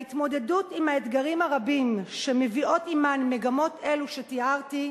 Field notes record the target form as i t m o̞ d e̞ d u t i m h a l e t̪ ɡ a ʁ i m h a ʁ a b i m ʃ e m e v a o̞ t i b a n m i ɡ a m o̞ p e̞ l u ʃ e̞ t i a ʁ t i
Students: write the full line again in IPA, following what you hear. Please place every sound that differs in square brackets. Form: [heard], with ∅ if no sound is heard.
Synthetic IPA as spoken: i t m o̞ d e̞ d u t i m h a [∅] e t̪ ɡ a ʁ i m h a ʁ a b i m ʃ e m e v [i] o̞ t i [m] a n m [e] ɡ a m o̞ [t] e̞ l u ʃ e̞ t i a ʁ t i